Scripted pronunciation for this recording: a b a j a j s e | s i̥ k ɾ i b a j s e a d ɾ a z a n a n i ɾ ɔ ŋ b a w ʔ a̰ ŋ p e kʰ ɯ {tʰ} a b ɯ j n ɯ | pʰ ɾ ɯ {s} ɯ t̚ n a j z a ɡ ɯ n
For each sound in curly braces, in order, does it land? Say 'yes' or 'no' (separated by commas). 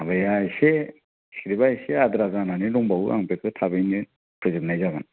yes, no